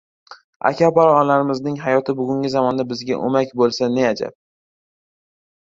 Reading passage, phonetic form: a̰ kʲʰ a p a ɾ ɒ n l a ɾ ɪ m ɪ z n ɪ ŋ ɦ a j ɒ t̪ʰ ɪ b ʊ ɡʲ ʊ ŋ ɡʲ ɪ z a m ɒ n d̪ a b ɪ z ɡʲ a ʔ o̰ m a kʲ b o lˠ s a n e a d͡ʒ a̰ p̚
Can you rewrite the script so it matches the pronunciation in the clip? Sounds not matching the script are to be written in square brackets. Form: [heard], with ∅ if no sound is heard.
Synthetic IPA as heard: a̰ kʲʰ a p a ɾ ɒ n l a ɾ ɪ m ɪ z n ɪ ŋ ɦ a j ɒ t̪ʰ ɪ b ʊ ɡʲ ʊ ŋ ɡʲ ɪ z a m ɒ n d̪ a b ɪ z ɡʲ a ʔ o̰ m a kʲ b o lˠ s a n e a d͡ʒ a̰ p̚